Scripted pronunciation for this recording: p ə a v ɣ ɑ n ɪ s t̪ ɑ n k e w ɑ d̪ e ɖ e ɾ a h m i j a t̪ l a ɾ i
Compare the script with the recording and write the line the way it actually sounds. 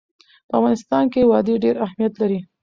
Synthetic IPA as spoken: p ə a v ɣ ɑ n ɪ s t̪ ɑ n k e w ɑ d̪ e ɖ e ɾ a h m i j a t̪ l a ɾ i